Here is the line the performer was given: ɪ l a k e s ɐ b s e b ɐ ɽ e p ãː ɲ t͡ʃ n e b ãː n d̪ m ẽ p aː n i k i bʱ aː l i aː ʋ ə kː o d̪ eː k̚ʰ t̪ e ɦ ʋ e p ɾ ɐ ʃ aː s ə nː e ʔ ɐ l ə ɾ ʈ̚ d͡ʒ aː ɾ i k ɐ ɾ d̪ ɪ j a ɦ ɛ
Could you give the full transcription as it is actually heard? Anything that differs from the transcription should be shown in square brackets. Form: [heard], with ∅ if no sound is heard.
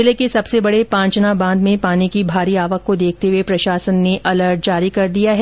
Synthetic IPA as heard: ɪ l [e] k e s ɐ b s e b ɐ ɽ e p ãː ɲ t͡ʃ n [a] b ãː n d̪ m ẽ p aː n i k i bʱ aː [ɾ] i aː ʋ ə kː o d̪ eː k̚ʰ t̪ e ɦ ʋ e p ɾ ɐ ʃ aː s ə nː e ʔ ɐ l ə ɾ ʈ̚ d͡ʒ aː ɾ i k ɐ ɾ d̪ [i] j a ɦ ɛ